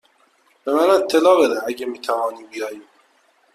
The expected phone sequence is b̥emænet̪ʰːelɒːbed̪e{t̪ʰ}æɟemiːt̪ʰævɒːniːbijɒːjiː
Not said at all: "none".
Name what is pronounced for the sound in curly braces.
none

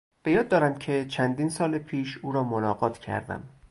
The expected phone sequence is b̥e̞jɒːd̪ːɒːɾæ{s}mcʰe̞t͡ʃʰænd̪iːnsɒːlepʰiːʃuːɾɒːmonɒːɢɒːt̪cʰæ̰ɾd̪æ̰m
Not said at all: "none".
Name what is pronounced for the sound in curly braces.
none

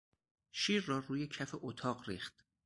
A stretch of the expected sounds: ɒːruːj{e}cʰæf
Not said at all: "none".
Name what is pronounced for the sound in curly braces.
e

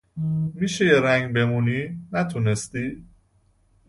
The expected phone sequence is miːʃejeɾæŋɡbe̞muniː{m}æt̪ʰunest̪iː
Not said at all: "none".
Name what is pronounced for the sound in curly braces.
n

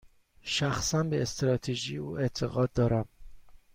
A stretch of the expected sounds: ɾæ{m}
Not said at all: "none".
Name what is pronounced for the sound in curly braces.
m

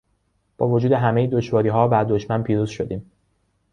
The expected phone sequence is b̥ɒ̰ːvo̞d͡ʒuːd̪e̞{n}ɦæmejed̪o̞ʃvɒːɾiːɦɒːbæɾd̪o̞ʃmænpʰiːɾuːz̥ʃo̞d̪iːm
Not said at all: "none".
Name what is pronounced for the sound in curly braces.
none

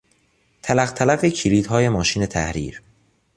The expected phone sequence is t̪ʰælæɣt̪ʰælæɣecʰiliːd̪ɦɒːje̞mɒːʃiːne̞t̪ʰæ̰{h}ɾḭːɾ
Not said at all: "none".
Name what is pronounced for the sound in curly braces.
h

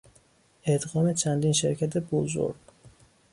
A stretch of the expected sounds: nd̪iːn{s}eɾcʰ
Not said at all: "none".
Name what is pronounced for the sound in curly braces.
ʃ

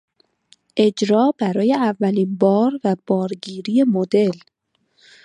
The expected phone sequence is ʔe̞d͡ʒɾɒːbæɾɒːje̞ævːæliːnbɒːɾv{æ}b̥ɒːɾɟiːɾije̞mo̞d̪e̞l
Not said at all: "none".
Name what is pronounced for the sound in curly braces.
æ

